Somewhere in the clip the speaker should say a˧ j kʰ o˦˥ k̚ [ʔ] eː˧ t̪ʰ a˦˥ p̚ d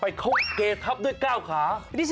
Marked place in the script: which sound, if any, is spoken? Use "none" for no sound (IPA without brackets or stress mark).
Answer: k